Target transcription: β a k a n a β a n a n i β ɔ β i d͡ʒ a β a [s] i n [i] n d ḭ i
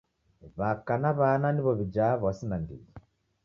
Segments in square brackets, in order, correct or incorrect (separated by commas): correct, incorrect